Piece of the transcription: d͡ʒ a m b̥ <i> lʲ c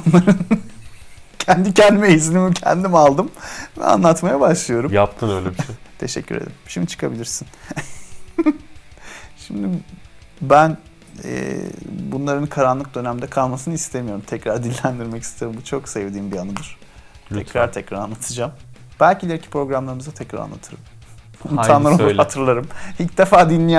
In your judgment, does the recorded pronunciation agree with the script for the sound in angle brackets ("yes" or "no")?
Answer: no